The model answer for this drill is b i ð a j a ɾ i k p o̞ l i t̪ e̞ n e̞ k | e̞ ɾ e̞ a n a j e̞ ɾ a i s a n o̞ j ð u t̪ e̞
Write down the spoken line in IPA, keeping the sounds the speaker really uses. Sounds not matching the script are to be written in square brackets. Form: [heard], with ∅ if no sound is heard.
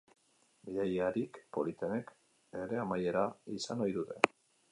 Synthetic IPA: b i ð a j a ɾ i k p o̞ l i t̪ e̞ n e̞ k | e̞ ɾ e̞ a [m] a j e̞ ɾ a i s a n o̞ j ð u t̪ e̞